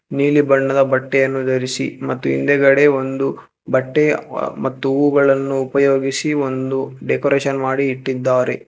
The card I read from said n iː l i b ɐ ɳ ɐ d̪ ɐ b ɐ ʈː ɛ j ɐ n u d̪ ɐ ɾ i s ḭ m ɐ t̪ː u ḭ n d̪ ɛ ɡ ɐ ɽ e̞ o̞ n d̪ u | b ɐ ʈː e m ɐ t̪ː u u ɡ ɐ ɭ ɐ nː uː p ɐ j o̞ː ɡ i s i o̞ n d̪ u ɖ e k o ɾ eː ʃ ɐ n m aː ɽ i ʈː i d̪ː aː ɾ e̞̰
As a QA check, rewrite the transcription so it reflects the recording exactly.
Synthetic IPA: n iː l i b ɐ ɳː ɐ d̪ ɐ b ɐ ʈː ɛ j ɐ nː u d̪ ɐ ɾ i s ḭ m ɐ t̪ː u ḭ n d̪ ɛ ɡ ɐ ɽ e̞ o̞ n d̪ u | b ɐ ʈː e m ɐ t̪ː u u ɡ ɐ ɭ ɐ nː uː p ɐ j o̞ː ɡ i s i o̞ n d̪ u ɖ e k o ɾ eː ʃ ɐ n m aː ɽ iː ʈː i d̪ː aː ɾ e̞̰